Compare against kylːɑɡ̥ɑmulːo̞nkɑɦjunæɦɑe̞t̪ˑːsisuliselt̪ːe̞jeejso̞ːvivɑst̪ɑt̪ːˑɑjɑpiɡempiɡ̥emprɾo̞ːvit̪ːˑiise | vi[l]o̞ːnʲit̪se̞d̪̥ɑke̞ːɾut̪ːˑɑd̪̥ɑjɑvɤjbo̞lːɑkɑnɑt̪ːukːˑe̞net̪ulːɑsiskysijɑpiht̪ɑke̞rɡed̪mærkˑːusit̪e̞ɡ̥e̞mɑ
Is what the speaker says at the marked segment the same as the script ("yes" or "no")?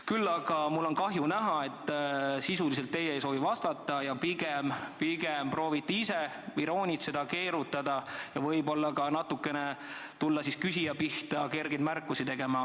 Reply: no